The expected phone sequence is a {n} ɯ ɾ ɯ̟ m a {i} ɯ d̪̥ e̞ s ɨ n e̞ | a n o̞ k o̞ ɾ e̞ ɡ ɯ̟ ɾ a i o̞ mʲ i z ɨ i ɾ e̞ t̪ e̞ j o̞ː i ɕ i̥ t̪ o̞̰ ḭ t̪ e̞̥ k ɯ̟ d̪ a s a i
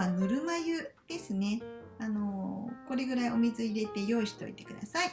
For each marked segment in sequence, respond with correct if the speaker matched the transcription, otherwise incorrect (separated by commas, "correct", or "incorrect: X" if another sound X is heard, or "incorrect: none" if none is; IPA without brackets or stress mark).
correct, incorrect: j